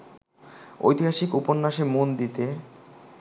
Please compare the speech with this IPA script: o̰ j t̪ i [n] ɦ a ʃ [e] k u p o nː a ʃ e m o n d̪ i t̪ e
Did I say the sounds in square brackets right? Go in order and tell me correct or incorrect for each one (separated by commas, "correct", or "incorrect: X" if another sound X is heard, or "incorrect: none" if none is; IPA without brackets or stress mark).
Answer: incorrect: none, incorrect: i